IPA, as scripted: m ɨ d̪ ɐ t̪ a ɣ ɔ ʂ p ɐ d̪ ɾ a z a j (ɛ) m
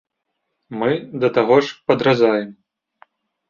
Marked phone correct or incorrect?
correct